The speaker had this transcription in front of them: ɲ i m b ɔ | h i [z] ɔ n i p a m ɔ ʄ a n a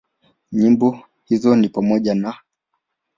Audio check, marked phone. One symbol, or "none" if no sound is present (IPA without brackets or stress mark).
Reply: z